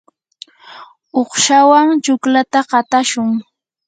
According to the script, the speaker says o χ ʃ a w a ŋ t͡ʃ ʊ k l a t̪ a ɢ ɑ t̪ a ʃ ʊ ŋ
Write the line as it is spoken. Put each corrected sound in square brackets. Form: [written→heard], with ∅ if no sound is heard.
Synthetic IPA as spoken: o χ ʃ a w a ŋ t͡ʃ ʊ k l a t̪ a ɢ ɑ t̪ a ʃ ʊ ŋ